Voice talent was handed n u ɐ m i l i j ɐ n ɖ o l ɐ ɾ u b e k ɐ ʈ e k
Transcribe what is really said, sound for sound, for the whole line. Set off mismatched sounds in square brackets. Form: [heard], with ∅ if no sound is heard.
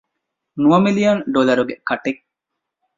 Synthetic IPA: n u ɐ m i l i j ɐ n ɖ o l ɐ ɾ u [ɡ] e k ɐ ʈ e k